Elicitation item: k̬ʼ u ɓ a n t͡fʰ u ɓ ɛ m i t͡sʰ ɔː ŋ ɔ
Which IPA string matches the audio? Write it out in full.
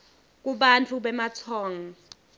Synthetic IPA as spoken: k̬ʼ u ɓ a n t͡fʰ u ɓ ɛ m a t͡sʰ ɔː ŋ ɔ